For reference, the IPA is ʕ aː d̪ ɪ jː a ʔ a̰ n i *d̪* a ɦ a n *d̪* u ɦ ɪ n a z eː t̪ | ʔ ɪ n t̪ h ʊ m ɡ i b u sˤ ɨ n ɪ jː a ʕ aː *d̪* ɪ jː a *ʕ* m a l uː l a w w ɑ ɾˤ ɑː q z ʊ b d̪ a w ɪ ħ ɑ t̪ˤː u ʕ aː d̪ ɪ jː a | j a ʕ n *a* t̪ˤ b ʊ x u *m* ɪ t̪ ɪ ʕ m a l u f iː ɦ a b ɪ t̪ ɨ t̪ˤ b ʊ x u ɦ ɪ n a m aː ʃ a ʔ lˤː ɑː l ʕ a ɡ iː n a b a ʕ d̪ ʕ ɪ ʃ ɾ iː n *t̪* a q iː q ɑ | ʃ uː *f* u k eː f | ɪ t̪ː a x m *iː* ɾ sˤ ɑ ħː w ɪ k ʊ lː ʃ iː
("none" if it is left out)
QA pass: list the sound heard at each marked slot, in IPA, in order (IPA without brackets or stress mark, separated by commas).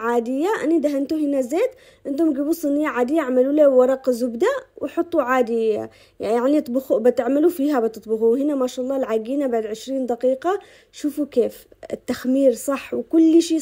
d̪, t̪, d̪, ʕ, i, b, d̪, f, iː